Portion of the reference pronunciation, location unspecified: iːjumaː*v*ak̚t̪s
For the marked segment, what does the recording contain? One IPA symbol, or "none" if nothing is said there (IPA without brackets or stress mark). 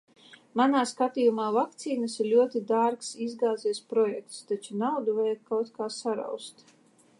v